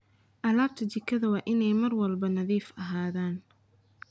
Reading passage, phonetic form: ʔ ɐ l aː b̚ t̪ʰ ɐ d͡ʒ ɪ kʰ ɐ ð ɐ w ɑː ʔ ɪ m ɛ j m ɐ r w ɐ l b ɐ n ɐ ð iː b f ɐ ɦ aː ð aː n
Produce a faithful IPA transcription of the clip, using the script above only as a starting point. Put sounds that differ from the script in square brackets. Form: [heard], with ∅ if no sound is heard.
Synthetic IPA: ʔ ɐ l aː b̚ t̪ʰ ɐ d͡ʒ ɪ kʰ ɐ ð ɐ w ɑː ʔ ɪ [n] ɛ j m ɐ r w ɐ l b ɐ n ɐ ð iː [∅] f ɐ ɦ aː ð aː n